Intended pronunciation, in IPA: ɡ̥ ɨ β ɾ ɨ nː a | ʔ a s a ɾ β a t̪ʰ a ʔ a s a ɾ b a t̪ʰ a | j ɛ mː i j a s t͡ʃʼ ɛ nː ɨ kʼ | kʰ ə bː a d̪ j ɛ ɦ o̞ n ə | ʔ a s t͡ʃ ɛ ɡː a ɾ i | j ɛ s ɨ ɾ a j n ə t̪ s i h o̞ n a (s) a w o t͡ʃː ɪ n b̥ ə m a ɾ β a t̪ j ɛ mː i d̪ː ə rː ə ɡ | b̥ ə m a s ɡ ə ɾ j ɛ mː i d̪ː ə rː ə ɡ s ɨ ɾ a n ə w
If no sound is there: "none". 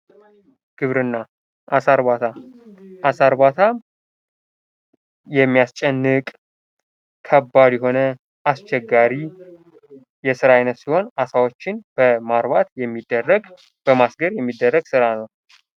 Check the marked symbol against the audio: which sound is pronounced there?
s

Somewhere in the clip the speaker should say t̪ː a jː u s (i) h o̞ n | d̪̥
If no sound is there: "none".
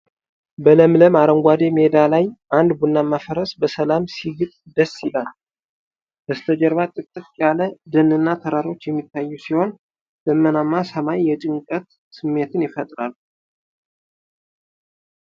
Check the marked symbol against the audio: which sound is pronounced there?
i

